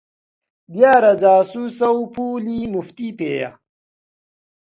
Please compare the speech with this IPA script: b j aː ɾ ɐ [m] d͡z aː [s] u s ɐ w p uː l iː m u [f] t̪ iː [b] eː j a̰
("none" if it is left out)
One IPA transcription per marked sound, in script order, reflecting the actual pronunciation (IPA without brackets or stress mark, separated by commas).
none, s, f, p